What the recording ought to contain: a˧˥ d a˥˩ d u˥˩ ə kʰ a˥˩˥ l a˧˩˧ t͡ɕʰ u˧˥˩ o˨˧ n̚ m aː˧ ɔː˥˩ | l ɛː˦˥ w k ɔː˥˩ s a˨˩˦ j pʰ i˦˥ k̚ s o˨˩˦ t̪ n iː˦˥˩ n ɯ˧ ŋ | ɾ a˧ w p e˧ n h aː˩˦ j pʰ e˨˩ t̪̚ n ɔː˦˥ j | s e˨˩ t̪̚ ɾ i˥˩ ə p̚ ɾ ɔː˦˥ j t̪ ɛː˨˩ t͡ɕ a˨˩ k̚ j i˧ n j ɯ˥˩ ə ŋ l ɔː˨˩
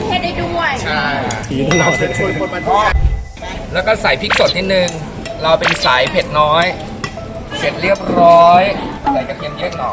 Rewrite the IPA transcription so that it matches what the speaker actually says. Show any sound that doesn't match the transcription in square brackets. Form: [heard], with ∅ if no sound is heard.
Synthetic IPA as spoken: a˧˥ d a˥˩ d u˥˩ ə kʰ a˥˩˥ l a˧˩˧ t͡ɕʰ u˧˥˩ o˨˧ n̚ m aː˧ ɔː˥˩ | l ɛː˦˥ w k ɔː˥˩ s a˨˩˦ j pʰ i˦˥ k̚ s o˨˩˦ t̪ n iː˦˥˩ n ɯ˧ ŋ | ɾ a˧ w p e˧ n [s] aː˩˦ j pʰ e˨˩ t̪̚ n ɔː˦˥ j | s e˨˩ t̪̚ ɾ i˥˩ ə p̚ ɾ ɔː˦˥ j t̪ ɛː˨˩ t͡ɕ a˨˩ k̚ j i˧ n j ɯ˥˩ ə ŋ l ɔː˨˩